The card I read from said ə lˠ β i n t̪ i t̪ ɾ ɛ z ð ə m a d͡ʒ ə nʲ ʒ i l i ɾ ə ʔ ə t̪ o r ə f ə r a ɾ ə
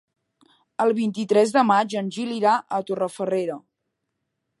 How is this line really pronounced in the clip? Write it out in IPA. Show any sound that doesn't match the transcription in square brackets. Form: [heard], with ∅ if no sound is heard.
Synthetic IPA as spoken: ə lˠ β i n t̪ i t̪ ɾ ɛ z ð ə m a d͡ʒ ə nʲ ʒ i l i ɾ [a] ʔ ə t̪ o r ə f ə r [e] ɾ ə